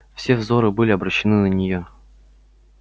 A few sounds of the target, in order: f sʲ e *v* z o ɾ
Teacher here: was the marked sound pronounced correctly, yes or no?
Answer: yes